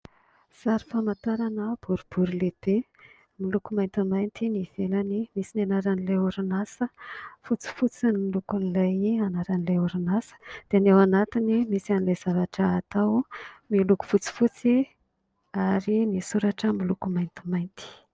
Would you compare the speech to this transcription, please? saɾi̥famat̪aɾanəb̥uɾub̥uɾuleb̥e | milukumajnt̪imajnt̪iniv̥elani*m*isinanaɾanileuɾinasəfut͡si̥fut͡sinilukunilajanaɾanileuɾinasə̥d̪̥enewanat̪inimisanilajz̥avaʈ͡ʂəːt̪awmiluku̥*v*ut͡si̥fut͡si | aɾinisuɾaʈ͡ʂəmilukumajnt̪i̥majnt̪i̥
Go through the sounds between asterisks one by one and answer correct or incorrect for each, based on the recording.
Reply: correct, incorrect: f

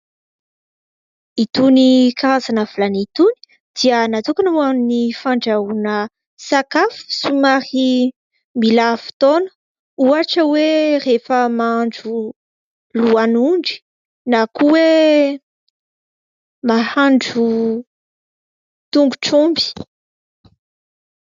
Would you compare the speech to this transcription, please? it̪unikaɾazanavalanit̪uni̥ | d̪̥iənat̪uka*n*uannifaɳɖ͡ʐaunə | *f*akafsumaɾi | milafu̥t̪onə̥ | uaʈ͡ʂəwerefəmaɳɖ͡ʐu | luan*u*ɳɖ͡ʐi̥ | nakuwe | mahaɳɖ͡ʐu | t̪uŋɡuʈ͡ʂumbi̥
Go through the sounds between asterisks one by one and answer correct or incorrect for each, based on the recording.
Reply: correct, incorrect: s, correct

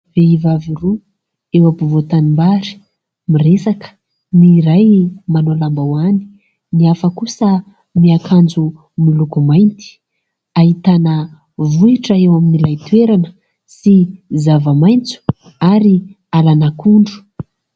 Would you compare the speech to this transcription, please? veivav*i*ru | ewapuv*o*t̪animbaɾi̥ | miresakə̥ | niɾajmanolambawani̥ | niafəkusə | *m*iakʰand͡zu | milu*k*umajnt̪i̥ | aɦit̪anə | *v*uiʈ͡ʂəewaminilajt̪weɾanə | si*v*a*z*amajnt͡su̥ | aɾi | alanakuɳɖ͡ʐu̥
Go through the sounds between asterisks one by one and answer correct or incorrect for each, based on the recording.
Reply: correct, correct, correct, correct, correct, incorrect: z, incorrect: v

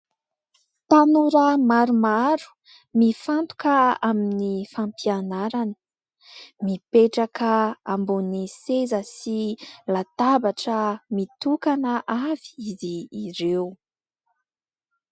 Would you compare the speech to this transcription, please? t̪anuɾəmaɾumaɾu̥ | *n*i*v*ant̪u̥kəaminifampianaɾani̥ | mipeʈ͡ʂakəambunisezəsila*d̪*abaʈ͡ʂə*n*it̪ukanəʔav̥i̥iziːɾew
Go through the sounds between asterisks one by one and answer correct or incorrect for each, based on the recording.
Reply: incorrect: m, incorrect: f, incorrect: t̪, incorrect: m

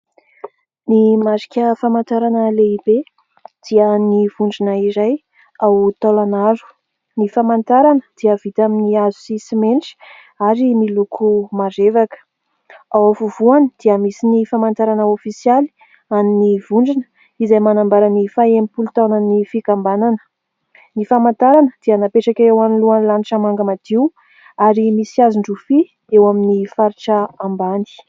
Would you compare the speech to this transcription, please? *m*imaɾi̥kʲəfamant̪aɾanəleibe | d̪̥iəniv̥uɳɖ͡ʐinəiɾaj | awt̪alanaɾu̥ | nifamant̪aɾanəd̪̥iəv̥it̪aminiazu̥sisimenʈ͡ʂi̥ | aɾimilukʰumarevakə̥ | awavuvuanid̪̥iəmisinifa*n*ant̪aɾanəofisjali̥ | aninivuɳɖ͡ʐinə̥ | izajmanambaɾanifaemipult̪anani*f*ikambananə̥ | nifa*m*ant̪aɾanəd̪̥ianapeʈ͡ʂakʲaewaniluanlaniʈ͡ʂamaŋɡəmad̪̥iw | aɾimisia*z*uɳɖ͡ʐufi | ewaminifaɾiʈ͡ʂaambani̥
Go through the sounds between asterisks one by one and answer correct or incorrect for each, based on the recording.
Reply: incorrect: n, incorrect: m, correct, correct, correct

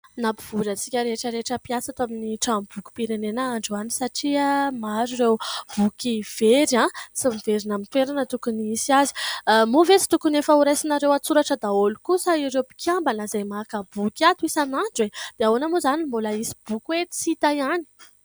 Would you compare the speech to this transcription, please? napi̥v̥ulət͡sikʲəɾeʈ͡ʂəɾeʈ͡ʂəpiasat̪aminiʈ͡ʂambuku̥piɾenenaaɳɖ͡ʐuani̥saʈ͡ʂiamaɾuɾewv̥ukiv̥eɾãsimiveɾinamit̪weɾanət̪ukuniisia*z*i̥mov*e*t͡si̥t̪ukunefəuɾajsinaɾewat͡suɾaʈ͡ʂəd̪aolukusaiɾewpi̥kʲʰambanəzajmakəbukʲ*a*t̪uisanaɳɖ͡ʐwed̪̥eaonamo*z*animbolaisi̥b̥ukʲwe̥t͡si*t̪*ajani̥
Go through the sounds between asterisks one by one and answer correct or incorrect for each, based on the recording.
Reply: correct, correct, correct, correct, correct

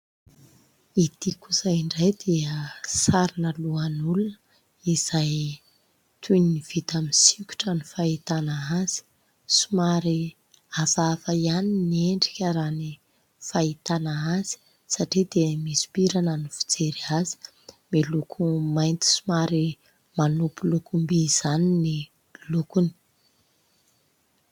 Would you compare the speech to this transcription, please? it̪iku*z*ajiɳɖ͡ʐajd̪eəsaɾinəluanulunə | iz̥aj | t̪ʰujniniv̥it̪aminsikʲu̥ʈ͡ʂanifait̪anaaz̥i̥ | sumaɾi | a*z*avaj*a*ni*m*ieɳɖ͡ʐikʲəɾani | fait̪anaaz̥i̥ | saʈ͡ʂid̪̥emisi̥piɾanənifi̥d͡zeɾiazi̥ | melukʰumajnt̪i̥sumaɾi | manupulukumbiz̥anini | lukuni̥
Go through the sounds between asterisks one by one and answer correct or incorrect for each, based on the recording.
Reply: correct, incorrect: v, correct, incorrect: n

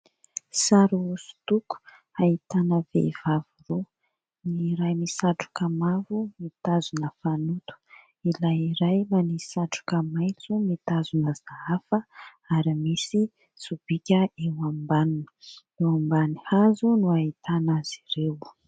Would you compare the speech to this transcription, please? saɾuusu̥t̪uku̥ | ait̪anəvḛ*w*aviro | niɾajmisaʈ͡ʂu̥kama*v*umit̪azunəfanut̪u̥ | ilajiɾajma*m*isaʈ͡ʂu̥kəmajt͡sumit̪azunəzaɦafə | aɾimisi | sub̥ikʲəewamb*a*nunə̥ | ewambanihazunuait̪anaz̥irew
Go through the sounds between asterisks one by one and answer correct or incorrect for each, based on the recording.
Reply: incorrect: v, correct, incorrect: n, correct

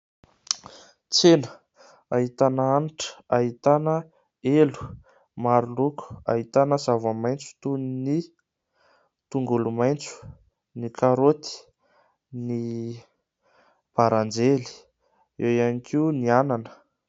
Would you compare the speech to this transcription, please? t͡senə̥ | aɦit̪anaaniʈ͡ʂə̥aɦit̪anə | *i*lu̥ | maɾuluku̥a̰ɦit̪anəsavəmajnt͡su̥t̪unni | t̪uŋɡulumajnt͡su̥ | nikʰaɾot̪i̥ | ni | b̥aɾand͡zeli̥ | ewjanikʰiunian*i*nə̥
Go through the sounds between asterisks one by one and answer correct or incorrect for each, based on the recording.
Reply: incorrect: e, incorrect: a

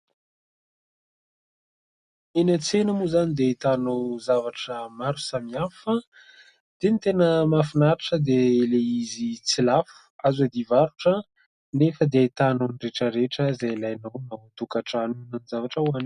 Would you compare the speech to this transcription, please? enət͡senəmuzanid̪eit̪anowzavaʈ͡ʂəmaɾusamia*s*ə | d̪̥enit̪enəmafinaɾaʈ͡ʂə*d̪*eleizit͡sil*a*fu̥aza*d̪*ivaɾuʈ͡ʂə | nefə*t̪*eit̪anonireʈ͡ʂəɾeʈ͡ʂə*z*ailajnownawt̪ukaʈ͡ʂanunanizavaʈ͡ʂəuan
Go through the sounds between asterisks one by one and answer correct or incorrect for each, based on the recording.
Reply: incorrect: f, correct, correct, correct, incorrect: d̪, correct

